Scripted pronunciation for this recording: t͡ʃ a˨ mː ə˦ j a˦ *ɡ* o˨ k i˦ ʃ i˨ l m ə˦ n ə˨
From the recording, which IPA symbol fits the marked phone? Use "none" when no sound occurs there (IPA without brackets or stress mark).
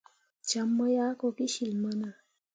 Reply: k